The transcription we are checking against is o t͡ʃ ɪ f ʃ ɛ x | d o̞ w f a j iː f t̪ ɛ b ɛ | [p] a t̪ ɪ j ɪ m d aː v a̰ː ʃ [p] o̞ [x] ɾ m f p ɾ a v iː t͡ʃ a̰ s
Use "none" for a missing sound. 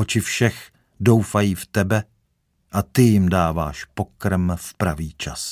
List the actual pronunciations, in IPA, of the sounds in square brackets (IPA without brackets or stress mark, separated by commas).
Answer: ʔ, p, k